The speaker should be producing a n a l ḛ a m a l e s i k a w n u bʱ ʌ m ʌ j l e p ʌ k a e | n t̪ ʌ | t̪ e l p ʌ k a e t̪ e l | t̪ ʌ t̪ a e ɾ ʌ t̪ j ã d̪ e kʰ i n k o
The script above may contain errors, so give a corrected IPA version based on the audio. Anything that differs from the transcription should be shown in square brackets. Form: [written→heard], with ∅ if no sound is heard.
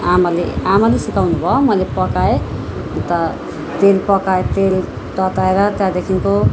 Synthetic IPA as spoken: a [n→m] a l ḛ a m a l e s i k a w n u bʱ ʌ m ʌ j l e p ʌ k a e | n t̪ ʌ | t̪ e l p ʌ k a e t̪ e l | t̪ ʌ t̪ a e ɾ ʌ t̪ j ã d̪ e kʰ i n k o